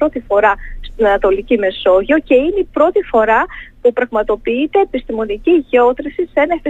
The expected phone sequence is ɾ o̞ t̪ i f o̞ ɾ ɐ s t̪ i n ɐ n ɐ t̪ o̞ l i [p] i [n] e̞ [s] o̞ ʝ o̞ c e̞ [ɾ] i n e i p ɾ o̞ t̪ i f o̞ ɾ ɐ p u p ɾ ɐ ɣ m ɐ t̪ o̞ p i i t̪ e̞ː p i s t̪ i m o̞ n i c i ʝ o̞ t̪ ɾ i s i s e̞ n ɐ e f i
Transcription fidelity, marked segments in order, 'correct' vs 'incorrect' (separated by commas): incorrect, incorrect, correct, incorrect